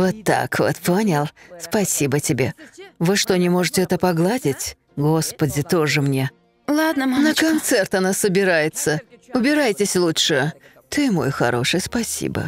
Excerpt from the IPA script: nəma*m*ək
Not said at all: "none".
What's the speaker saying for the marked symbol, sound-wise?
n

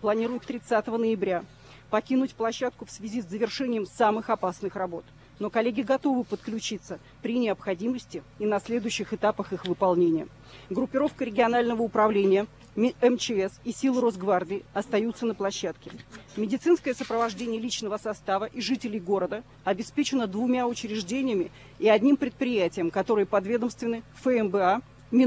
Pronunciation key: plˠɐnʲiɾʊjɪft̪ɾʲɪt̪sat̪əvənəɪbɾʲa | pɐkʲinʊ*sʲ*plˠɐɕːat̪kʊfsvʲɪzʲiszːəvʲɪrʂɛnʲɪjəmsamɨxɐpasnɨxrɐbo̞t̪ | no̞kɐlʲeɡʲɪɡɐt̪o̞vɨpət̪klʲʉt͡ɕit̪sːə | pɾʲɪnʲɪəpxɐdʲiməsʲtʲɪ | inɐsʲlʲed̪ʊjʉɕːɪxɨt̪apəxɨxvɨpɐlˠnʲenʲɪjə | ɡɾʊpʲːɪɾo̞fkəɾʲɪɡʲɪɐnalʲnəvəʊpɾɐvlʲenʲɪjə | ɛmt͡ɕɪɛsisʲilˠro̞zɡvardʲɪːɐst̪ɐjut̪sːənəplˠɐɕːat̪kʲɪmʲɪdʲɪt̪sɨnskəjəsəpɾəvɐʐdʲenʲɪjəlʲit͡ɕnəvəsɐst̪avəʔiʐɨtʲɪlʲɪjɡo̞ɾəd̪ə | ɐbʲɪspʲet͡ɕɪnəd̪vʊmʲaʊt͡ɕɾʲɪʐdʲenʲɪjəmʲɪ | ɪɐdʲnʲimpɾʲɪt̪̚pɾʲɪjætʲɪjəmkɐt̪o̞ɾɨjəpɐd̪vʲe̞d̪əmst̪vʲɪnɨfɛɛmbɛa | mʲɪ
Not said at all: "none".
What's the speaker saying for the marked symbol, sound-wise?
tʲ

